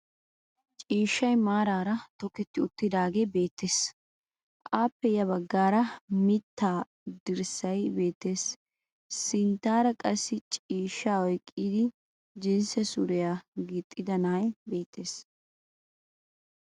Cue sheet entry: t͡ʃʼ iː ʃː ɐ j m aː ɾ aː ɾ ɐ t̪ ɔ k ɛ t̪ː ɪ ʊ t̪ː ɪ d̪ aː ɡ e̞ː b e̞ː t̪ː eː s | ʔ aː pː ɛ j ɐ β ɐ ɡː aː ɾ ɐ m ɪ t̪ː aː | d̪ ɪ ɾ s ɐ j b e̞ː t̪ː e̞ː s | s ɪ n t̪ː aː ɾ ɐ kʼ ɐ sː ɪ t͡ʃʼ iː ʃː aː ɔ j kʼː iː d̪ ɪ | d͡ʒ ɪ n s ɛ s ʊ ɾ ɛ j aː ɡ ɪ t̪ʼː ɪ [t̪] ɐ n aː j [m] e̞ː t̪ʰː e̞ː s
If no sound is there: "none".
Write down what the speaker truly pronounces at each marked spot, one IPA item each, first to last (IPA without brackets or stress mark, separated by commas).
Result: d̪, b